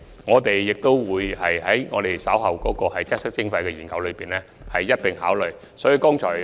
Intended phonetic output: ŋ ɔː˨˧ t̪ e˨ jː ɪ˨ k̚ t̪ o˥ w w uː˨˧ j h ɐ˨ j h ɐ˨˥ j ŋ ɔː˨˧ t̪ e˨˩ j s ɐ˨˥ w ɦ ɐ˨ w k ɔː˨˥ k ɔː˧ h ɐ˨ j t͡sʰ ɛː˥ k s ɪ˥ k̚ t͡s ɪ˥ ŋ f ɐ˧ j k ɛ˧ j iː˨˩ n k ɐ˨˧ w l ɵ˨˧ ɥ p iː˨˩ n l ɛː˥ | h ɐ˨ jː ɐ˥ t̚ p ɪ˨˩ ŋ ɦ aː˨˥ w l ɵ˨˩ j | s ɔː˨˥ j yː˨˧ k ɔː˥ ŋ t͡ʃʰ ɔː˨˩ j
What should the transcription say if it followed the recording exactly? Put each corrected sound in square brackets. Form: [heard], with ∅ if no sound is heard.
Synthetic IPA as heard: ŋ ɔː˨˧ t̪ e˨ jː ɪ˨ k̚ t̪ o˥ w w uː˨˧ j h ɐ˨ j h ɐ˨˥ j ŋ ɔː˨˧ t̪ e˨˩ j s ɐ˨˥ w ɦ ɐ˨ w k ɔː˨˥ k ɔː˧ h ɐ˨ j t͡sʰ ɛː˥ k s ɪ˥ k̚ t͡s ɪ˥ ŋ f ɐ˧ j k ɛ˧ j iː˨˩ n k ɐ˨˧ w l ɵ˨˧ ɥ p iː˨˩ n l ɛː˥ | h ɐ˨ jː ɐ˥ t̚ p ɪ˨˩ ŋ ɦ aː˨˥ w l ɵ˨˩ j | s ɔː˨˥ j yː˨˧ k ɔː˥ ŋ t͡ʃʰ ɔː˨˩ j